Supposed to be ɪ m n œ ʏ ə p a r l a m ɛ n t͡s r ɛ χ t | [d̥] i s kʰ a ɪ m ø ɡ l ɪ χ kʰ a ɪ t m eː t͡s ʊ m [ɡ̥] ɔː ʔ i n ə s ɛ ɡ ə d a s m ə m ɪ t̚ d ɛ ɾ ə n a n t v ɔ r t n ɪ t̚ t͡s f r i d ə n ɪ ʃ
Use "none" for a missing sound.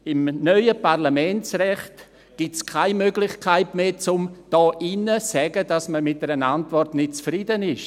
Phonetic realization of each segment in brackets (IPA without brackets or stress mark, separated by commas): ɡ̥, d̥